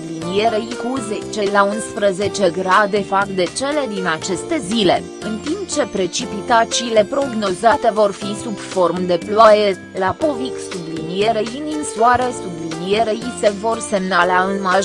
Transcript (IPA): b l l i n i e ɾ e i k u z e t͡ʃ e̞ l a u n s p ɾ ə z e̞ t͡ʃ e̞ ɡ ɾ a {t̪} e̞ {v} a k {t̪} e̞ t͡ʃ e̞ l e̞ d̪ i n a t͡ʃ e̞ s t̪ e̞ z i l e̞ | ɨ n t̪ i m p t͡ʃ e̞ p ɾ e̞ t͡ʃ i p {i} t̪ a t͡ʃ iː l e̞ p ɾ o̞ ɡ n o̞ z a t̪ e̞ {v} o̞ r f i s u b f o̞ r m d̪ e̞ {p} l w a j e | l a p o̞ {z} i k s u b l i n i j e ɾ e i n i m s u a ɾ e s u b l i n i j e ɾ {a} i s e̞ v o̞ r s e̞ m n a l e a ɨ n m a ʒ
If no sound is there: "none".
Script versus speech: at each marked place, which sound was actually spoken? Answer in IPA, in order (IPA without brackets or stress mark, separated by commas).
d̪, f, d̪, i, v, p, v, e